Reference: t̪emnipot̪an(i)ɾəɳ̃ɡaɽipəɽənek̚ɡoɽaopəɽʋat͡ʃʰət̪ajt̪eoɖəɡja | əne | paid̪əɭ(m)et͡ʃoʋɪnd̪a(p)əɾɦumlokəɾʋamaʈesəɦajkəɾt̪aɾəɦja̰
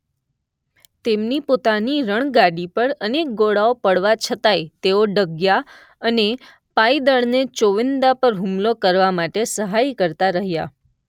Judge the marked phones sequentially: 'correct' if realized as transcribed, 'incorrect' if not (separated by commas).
correct, incorrect, correct